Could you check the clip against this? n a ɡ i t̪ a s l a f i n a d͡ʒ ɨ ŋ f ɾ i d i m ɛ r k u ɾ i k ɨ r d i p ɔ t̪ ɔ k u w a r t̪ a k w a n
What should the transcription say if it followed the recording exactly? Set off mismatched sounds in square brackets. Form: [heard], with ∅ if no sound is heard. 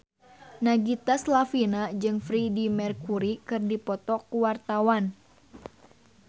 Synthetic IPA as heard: n a ɡ i t̪ a s l a f i n a d͡ʒ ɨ ŋ f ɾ i d i m ɛ r k u ɾ i k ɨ r d i p ɔ t̪ ɔ k u w a r t̪ a [∅] w a n